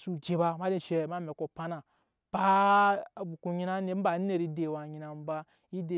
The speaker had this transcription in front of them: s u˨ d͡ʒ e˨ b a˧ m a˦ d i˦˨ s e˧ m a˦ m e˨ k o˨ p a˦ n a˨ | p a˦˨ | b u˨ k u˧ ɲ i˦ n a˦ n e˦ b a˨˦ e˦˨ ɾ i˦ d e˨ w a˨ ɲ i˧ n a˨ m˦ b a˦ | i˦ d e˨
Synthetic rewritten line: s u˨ d͡ʒ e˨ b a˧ m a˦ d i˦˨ ʃ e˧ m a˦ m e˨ k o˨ p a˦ n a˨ | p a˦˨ | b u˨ k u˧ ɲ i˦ n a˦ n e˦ b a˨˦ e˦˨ ɾ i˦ d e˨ w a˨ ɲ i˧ n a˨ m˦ b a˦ | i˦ d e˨